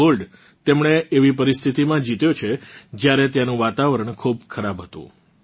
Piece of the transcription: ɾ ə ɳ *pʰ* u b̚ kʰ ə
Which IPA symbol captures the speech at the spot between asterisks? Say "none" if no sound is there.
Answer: kʰ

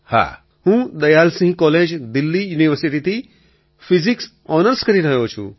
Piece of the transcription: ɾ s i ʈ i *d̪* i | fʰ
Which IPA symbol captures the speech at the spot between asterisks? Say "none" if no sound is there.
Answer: t̪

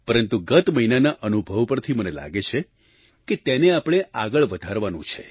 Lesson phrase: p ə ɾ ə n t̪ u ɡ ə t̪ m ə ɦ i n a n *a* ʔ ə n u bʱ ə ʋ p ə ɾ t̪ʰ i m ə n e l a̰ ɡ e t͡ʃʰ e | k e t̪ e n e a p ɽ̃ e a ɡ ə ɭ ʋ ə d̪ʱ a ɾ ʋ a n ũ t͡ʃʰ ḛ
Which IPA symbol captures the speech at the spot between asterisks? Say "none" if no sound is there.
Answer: a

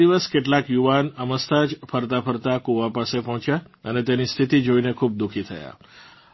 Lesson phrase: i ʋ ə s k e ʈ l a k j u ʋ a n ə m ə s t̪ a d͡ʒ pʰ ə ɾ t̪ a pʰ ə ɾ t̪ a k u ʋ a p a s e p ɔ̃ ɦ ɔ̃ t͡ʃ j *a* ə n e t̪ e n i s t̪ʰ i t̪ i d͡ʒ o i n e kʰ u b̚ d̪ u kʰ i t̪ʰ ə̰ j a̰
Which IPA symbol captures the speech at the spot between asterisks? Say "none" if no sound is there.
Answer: a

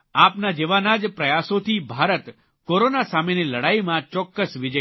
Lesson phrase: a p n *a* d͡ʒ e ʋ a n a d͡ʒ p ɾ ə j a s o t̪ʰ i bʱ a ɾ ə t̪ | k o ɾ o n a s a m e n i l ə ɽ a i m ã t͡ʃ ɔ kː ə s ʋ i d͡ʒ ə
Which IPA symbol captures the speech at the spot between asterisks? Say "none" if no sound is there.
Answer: a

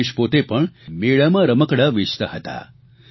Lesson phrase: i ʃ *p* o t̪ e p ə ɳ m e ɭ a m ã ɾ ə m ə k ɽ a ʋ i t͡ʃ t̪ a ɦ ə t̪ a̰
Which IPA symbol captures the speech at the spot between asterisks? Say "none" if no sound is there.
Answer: p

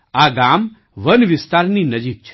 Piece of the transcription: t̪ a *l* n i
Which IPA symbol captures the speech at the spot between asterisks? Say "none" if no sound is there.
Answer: ɾ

